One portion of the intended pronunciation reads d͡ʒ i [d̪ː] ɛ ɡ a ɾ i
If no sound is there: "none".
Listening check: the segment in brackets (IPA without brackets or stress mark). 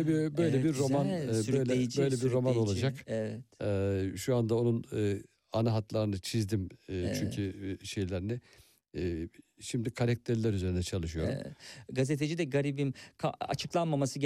d̪